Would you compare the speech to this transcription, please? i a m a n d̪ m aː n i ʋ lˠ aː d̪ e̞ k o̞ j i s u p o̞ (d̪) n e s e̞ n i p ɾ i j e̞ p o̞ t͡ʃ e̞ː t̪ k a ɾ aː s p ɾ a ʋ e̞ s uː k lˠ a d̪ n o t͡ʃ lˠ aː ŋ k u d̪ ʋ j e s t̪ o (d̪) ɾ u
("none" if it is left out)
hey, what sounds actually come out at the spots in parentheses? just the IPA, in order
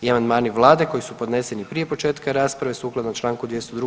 d̪, d̪

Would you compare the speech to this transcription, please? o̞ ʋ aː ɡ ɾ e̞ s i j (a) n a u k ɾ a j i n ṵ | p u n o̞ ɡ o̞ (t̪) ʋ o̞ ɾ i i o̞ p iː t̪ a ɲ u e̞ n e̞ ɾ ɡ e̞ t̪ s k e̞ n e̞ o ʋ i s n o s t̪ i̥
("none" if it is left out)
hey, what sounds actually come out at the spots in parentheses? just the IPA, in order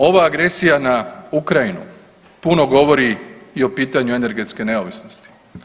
a, none

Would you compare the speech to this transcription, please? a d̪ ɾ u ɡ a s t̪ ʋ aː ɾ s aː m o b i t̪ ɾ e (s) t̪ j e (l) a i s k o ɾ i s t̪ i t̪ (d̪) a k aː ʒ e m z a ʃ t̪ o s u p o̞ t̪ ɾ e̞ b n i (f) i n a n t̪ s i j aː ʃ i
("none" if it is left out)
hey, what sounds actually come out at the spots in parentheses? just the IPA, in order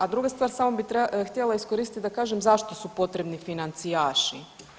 x, l, d̪, f

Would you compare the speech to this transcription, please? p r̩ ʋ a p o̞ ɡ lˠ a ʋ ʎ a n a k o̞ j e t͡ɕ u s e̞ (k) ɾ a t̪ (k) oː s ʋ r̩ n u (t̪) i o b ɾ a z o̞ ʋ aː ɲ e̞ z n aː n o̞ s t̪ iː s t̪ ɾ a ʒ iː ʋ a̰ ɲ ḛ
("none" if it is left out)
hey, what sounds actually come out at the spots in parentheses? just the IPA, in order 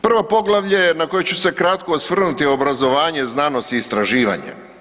k, k, t̪

